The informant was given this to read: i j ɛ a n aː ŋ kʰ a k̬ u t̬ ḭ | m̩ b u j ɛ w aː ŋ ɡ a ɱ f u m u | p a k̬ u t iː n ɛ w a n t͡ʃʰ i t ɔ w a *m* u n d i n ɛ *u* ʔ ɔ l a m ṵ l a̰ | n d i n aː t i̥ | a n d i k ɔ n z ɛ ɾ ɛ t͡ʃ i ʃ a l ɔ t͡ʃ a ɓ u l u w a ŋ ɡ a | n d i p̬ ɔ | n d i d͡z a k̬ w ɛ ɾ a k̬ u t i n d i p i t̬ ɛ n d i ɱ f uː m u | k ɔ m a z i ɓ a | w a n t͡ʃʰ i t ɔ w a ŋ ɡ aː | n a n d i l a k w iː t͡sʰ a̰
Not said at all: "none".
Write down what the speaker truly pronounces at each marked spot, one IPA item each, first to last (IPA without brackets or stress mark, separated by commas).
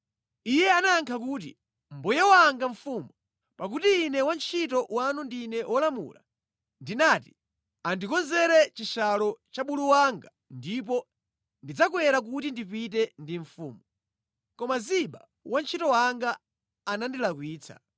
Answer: n, w